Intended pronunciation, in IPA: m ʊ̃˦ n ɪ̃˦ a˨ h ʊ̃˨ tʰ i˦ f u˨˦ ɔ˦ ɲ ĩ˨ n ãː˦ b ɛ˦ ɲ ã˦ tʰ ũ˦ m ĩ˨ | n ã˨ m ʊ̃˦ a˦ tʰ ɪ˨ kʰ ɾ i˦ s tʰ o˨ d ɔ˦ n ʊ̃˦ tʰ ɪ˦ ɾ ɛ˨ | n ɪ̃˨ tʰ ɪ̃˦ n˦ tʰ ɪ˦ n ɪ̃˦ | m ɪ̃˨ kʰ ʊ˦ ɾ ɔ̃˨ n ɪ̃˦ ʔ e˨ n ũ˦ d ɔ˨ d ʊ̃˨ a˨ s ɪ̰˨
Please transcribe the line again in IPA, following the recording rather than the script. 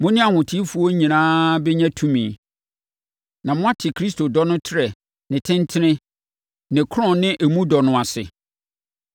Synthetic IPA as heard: m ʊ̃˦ n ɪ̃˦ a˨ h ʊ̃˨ tʰ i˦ f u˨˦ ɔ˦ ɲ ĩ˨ n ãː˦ b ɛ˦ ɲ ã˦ tʰ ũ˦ m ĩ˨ | n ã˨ m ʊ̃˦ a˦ tʰ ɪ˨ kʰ ɾ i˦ s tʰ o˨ d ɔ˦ n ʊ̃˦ tʰ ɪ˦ ɾ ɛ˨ | n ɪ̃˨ tʰ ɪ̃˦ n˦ tʰ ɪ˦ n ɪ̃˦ | n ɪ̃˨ kʰ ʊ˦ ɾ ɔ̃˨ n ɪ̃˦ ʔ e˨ m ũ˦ d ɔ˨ n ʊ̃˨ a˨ s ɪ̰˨

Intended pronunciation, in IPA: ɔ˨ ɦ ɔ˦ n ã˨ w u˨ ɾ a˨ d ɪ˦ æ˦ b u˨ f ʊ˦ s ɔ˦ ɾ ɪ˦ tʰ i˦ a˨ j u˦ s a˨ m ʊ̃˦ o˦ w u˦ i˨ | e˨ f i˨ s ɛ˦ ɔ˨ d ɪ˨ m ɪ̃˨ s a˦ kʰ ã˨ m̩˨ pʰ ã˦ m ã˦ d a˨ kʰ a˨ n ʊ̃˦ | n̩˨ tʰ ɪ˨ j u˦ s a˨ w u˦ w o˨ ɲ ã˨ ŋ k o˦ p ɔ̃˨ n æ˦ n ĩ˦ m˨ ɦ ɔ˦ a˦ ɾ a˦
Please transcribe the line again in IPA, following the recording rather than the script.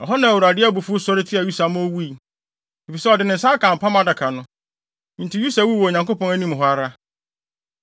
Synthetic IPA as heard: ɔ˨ ɦ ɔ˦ n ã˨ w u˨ ɾ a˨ d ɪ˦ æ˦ b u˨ f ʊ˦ s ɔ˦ ɾ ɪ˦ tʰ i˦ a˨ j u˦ s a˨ m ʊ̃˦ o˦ w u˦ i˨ | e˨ f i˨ s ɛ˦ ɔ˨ d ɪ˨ n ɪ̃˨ s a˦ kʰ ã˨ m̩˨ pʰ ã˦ m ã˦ d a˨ kʰ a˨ n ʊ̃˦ | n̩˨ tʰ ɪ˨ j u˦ s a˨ w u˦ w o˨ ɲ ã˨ ŋ k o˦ p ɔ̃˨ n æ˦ n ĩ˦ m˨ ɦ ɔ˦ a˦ ɾ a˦

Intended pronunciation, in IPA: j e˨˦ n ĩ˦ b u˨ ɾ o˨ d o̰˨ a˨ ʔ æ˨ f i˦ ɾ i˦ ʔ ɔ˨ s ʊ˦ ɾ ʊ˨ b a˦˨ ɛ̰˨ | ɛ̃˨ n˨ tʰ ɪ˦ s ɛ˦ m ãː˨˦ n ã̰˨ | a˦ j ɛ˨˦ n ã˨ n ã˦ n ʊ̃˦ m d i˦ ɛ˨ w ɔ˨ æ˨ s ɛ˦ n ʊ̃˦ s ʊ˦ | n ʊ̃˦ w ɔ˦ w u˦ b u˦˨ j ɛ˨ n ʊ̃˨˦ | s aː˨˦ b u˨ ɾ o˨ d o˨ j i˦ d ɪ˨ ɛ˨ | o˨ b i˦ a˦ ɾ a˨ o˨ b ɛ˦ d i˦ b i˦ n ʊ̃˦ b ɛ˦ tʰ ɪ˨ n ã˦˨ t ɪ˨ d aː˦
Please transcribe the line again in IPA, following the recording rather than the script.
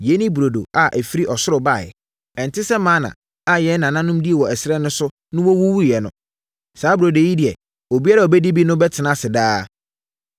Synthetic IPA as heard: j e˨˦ n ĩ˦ b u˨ ɾ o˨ d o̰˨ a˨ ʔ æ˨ f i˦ ɾ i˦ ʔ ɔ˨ s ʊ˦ ɾ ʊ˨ b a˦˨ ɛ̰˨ | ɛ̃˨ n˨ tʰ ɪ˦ s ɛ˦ m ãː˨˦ n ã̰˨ | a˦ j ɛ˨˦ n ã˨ n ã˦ n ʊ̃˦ m d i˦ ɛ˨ w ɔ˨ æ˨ s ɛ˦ n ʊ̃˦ s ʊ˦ | n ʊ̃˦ w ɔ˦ w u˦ w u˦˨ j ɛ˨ n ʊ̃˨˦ | s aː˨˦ b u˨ ɾ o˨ d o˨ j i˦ d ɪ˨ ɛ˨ | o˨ b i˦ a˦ ɾ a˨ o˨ b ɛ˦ d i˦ b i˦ n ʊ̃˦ b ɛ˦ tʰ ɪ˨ n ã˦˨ s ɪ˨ d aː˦

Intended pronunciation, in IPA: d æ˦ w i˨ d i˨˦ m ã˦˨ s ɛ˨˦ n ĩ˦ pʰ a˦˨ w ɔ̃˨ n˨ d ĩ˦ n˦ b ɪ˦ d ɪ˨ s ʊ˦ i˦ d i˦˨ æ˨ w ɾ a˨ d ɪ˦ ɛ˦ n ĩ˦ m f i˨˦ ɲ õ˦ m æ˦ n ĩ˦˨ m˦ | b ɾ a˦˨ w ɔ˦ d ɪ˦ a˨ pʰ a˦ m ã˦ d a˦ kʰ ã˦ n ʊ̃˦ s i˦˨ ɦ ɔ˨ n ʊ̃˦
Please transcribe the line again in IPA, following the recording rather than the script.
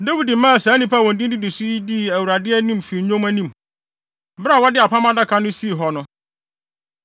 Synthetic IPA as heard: d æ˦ w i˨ d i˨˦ m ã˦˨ s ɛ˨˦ n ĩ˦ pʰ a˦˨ w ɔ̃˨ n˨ d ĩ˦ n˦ d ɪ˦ d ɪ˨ s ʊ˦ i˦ d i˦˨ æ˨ w ɾ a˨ d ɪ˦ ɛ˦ n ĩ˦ m f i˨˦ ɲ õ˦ m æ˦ n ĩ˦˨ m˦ | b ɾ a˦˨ w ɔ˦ d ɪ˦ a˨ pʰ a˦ m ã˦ d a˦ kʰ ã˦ n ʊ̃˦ s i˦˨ ɦ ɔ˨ n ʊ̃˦

